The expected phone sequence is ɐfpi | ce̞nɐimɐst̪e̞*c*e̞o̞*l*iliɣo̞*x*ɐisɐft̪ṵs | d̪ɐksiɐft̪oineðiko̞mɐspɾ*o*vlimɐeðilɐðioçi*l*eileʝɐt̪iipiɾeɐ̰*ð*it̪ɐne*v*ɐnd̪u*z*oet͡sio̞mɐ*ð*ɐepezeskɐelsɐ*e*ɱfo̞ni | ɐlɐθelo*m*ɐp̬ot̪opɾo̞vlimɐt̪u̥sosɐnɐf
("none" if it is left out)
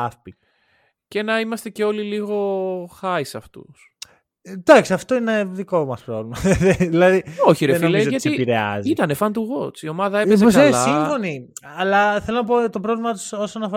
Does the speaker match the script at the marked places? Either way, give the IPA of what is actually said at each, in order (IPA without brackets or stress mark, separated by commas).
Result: c, l, x, o, ɾ, z, f, ɣ, ð, i, n